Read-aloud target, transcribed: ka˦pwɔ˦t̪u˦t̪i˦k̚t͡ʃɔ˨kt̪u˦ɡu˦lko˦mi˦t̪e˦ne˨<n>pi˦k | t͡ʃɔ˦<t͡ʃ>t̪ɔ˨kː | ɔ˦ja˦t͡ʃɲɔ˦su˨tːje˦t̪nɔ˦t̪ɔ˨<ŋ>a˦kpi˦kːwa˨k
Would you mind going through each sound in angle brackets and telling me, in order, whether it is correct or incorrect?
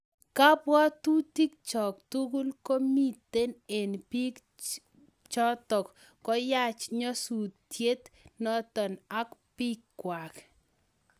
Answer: correct, incorrect: none, incorrect: n

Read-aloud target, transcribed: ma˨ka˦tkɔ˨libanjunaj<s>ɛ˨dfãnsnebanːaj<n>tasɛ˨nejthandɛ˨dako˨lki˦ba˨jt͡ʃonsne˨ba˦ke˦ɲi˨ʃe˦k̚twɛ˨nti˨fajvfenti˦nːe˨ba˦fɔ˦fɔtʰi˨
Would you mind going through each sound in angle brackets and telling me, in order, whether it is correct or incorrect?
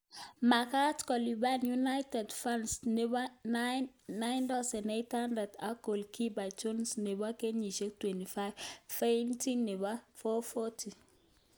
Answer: incorrect: t, correct

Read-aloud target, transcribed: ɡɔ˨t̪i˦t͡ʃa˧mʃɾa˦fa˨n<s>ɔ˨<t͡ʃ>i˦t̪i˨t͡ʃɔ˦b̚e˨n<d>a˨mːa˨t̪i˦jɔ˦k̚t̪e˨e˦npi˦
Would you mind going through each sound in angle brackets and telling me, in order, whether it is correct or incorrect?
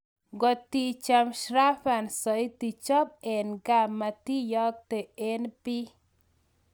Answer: correct, incorrect: none, incorrect: ɡ

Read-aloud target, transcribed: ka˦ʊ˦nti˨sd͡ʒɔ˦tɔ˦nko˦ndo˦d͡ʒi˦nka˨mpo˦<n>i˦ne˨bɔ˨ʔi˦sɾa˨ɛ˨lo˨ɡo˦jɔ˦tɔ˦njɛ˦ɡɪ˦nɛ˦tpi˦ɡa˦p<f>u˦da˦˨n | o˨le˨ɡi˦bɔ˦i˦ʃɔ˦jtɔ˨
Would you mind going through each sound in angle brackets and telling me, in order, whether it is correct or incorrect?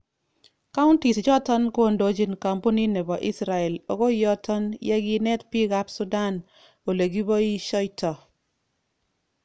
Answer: correct, incorrect: s

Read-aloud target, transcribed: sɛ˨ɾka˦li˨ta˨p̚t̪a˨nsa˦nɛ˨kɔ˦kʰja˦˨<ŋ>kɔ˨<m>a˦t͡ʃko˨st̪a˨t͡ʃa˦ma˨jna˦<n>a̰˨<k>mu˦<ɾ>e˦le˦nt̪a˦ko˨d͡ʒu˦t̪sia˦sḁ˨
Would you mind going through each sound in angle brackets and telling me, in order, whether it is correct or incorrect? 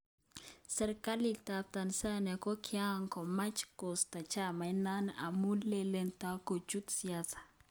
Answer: correct, correct, correct, incorrect: none, incorrect: l

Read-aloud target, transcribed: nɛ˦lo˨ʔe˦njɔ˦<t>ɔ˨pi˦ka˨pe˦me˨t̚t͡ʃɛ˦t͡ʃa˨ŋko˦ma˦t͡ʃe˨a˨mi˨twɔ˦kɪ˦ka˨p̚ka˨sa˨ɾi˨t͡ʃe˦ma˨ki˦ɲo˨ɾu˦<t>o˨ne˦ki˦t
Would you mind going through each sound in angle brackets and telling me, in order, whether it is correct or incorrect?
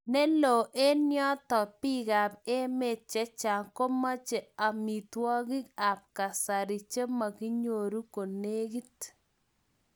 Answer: correct, incorrect: k

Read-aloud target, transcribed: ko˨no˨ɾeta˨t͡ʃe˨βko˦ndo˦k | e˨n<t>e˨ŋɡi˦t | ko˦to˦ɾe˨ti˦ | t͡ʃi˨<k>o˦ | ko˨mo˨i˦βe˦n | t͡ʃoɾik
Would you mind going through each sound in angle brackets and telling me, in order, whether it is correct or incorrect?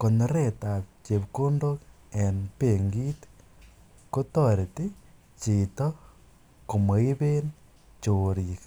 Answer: incorrect: p, incorrect: t

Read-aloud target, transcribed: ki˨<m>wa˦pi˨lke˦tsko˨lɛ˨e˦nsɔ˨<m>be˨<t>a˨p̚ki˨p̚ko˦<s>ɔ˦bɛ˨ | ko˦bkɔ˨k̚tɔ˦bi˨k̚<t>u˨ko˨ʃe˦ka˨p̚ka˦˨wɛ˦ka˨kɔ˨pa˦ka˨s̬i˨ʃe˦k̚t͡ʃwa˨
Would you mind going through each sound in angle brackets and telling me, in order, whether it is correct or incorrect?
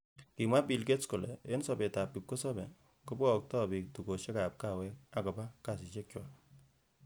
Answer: correct, incorrect: none, correct, correct, correct

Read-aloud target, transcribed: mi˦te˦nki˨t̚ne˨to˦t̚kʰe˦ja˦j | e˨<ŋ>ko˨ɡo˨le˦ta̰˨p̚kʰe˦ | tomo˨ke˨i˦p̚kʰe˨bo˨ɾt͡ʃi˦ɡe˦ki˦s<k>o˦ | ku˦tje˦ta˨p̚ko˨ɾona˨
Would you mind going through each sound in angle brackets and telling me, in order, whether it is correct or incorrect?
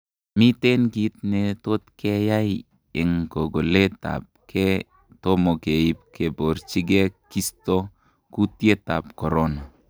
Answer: correct, incorrect: t

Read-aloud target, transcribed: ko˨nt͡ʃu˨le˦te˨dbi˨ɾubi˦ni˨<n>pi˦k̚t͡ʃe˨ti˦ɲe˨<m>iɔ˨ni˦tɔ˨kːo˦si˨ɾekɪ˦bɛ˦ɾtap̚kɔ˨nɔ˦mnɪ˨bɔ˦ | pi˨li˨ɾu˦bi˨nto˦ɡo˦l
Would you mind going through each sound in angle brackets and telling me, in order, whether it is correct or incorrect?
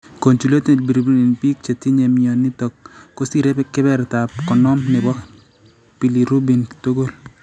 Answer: correct, correct

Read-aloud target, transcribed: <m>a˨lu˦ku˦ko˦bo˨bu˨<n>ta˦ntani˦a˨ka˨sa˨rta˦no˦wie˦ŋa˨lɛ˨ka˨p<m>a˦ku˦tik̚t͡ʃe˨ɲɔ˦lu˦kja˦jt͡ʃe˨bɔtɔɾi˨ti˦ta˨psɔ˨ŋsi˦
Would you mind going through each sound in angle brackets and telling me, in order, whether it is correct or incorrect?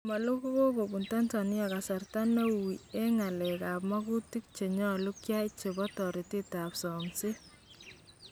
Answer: correct, correct, correct

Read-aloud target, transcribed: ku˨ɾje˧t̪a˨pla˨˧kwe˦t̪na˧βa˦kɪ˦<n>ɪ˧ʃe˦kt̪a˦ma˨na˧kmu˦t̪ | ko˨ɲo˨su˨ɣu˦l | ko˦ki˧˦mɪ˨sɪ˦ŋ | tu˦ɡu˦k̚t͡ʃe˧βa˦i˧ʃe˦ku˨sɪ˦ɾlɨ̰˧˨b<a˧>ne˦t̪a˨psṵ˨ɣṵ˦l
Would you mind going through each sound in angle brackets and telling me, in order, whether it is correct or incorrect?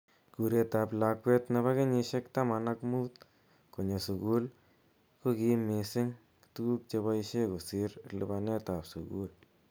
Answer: incorrect: ɲ, correct

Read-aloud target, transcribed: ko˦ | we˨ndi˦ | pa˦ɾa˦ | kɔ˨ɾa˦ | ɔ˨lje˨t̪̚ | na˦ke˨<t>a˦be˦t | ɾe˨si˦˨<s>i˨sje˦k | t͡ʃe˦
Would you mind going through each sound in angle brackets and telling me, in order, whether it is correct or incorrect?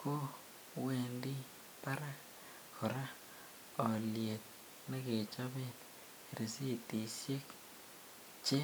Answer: incorrect: t͡ʃ, incorrect: t

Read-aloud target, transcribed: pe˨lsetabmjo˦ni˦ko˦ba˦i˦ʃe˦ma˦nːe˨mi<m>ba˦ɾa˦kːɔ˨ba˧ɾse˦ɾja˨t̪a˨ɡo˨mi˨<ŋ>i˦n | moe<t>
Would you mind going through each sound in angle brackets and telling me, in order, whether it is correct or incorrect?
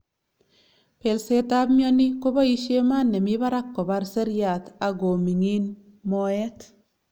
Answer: incorrect: none, correct, correct

